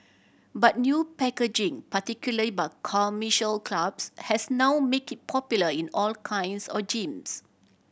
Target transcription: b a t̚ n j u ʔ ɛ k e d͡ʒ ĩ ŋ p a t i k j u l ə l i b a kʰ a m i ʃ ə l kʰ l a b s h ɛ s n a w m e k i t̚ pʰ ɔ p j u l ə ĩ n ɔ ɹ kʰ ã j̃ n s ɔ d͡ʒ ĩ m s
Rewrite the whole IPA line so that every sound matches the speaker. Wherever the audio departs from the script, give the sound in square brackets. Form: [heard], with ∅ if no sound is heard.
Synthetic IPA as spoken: b a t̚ n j u [p] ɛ k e d͡ʒ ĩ ŋ p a t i k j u l ə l i b a kʰ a m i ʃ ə l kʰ l a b s h ɛ s n a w m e k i t̚ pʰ ɔ p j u l ə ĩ n ɔ [l] kʰ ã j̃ n s ɔ d͡ʒ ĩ m s